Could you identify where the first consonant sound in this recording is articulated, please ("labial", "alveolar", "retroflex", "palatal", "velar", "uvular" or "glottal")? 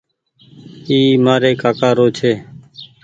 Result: labial